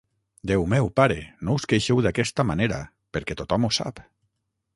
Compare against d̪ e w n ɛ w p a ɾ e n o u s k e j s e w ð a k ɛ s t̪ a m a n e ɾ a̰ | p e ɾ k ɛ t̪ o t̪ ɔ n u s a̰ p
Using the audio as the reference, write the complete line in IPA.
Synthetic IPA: d̪ e w m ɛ w p a ɾ e n o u s k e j ʃ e w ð a k ɛ s t̪ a m a n e ɾ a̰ | p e ɾ k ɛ t̪ o t̪ ɔ m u s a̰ p